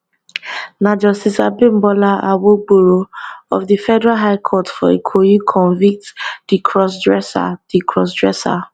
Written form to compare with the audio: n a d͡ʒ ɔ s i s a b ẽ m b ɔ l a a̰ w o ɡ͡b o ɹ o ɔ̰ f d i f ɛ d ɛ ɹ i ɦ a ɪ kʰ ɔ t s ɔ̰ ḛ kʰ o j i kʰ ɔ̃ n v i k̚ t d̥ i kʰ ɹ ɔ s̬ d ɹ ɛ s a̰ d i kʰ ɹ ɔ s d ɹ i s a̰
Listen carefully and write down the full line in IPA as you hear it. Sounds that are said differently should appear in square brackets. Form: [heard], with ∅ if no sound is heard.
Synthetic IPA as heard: n a d͡ʒ ɔ s i s a b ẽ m b ɔ l a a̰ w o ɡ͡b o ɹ o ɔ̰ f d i f ɛ d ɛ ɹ [a] ɦ a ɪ kʰ ɔ t [f] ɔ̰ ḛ kʰ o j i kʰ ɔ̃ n v i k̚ t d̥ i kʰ ɹ ɔ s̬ d ɹ ɛ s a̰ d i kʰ ɹ ɔ s d ɹ [ɛ] s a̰